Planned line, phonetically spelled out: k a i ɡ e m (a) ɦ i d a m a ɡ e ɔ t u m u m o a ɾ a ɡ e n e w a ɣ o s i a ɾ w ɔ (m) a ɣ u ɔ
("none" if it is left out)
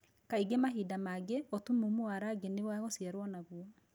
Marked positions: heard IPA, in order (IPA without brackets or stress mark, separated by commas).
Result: a, n